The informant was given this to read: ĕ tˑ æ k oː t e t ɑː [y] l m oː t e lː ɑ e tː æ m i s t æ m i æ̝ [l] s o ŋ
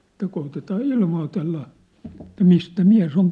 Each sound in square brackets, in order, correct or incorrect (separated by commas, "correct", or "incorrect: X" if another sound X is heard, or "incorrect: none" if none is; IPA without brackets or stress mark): incorrect: i, incorrect: none